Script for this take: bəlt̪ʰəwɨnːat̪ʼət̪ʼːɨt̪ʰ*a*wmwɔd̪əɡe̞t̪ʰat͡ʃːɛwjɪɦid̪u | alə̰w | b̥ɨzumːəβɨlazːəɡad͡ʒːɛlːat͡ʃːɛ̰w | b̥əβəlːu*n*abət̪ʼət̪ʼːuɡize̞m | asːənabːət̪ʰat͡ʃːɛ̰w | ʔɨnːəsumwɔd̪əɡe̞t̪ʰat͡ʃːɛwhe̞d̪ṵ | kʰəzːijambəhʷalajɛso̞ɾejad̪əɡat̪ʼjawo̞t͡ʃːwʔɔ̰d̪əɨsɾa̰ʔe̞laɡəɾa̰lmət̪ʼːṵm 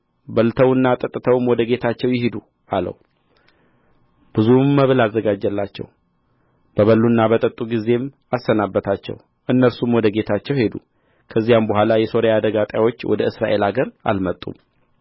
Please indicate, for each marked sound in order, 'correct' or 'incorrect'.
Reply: incorrect, incorrect

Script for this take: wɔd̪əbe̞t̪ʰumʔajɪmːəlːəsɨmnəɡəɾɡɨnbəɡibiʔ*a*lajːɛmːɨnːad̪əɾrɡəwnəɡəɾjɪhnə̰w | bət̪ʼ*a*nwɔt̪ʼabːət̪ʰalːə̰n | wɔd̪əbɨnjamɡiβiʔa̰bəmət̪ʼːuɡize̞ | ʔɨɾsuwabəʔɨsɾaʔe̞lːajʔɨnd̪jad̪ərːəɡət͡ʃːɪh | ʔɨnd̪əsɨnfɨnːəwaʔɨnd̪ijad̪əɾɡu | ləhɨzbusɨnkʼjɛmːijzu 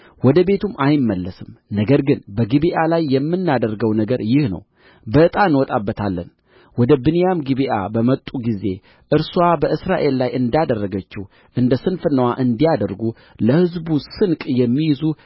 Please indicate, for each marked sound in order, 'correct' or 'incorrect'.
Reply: correct, correct

